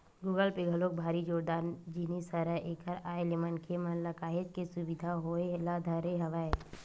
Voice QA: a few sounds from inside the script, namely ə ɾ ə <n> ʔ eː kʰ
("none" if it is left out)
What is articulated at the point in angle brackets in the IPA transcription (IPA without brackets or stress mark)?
none